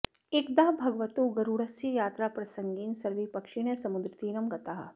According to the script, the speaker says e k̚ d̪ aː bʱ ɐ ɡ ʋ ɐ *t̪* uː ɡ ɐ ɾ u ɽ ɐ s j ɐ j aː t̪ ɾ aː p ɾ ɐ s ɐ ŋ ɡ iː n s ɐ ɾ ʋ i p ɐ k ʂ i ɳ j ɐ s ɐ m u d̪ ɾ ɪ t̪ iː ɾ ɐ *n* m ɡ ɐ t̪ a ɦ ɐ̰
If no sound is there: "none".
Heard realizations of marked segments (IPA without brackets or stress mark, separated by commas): t̪, none